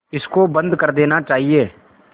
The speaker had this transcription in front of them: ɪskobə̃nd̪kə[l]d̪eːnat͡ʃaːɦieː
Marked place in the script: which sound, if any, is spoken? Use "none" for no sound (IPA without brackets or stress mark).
ɾ